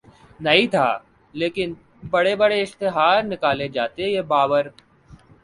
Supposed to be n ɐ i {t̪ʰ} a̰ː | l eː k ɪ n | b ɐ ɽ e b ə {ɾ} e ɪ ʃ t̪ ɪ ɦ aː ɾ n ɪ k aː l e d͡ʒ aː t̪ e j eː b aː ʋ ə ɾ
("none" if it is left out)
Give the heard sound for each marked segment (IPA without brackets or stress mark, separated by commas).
t̪ʰ, ɽ